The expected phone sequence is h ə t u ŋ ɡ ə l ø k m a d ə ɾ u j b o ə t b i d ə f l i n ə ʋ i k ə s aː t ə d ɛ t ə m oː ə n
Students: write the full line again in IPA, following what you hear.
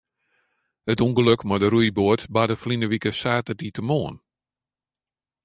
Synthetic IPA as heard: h ə t u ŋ ɡ ə l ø k m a d ə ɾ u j b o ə t b a d ə f l i n ə ʋ i k ə s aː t ə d i t ə m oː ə n